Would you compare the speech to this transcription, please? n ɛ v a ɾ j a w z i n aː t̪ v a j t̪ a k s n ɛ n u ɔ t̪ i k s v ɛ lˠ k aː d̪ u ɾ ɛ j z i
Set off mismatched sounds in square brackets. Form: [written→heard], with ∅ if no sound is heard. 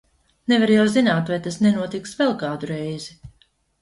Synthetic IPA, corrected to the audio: n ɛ v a ɾ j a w z i n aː t̪ v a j t̪ a [k→∅] s n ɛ n u ɔ t̪ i k s v ɛ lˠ k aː d̪ u ɾ ɛ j z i

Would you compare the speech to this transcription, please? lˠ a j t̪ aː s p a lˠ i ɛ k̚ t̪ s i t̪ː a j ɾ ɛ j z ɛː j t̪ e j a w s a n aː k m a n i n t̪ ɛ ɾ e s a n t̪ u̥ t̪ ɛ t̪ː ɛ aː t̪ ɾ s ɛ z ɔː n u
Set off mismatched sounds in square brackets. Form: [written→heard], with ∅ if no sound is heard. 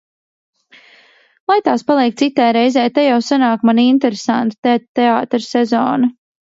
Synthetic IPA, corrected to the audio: lˠ a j t̪ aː s p a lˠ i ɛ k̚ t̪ s i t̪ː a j ɾ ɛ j z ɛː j t̪ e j a w s a n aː k m a n i n t̪ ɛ ɾ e s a n t̪ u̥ t̪ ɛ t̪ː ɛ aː t̪ ɾ s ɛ z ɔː n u

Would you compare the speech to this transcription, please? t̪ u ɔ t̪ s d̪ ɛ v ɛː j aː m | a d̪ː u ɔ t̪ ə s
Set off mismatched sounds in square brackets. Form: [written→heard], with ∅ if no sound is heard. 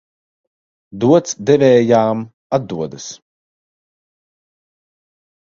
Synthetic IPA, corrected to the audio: [t̪→d̪] u ɔ t̪ s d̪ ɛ v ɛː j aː m | a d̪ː u ɔ [t̪→d̪] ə s

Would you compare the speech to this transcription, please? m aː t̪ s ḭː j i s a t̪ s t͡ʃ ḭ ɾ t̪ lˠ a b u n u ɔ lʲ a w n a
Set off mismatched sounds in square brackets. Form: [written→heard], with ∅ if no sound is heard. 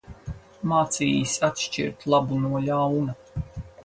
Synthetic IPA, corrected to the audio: m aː t̪ s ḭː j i s a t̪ [s→ʃ] t͡ʃ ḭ ɾ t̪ lˠ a b u n u ɔ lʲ a w n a

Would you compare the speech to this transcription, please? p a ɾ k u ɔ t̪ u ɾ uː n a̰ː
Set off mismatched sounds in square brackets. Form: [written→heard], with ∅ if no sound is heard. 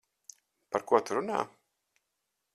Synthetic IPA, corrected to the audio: p a ɾ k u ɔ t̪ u ɾ [uː→u] n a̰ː

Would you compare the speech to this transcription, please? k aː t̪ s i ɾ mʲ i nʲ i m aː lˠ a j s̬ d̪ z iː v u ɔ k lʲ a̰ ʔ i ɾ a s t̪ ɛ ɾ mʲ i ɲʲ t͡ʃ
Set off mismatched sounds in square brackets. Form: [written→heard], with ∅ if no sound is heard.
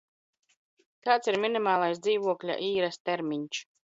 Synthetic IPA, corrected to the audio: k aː t̪ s i ɾ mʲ i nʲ i m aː lˠ a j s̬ d̪ z iː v u ɔ k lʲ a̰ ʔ [i→iː] ɾ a s t̪ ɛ ɾ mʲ i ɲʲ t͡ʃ

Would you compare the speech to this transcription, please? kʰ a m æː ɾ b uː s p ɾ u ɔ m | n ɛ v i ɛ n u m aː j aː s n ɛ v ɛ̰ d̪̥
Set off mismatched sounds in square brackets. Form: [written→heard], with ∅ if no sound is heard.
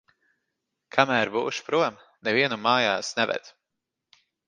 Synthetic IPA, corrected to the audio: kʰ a m æː ɾ b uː [s→ʃ] p ɾ u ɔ m | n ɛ v i ɛ n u m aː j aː s n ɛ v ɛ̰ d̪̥

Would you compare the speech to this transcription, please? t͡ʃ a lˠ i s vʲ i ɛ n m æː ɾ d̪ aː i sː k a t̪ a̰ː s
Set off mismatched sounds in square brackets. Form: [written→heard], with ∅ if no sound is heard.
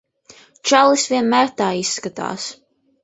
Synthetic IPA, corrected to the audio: t͡ʃ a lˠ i s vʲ i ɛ n m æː ɾ [d̪→t̪] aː i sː k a t̪ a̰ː s

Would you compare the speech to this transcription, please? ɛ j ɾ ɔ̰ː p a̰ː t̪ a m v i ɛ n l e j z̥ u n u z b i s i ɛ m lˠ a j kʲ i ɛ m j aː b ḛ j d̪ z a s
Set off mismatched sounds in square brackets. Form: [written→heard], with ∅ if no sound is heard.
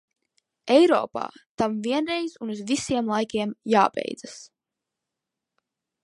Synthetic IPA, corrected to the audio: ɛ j ɾ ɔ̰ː p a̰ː t̪ a m v i ɛ n [l→ɾ] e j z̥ u n u z [b→v] i s i ɛ m lˠ a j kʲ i ɛ m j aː b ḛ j d̪ z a s

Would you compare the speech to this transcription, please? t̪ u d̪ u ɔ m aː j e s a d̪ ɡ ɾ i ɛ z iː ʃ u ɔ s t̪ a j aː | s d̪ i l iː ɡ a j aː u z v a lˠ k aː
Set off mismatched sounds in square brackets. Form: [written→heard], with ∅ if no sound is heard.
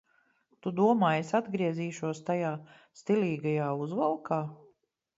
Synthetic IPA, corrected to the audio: t̪ u d̪ u ɔ m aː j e s a d̪ ɡ ɾ i ɛ z iː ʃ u ɔ s t̪ a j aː | s [d̪→t̪] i l iː ɡ a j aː u z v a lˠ k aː

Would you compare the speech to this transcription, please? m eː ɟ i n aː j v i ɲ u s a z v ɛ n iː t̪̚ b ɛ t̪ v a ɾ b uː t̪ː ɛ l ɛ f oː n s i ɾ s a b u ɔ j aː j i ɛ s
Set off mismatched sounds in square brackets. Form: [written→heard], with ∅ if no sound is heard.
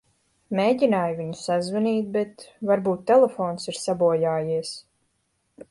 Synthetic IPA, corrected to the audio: m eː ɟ i n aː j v i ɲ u s a z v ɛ n iː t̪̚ b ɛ t̪ v a ɾ b uː t̪ː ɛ l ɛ f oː n s i ɾ s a b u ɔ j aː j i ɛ s

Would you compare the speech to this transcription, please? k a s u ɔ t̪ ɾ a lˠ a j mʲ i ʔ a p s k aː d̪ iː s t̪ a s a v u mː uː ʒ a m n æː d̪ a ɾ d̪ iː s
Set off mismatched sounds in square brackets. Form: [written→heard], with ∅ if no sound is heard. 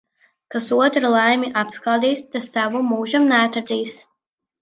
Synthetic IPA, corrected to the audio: k a s u ɔ t̪ ɾ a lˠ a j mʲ i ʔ a p s k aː d̪ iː s t̪ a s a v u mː uː ʒ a m n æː [d̪→t̪] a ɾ d̪ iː s

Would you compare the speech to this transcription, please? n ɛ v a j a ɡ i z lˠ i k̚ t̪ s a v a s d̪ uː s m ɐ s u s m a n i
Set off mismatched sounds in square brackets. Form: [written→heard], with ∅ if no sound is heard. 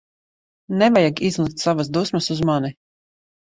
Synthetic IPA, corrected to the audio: n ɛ v a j a ɡ i z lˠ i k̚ t̪ s a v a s d̪ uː s m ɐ s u [s→z] m a n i

